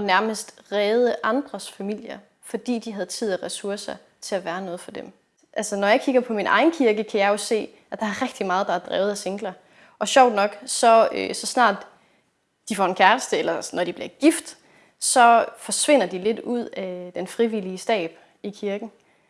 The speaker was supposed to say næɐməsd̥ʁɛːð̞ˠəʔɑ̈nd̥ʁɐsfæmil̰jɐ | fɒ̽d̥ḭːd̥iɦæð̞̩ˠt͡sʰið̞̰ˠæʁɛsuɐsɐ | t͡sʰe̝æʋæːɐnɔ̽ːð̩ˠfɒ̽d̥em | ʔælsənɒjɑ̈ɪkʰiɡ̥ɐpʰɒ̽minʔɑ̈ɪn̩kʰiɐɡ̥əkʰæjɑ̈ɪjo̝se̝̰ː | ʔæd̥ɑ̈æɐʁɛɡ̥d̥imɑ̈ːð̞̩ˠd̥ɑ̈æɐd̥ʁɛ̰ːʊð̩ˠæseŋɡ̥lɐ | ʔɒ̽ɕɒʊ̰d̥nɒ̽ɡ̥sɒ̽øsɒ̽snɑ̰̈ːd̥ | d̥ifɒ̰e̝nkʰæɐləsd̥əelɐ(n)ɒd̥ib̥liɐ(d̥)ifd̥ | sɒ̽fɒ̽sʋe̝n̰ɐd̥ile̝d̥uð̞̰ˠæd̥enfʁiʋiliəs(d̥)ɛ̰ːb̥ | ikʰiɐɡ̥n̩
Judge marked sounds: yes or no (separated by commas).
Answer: yes, no, yes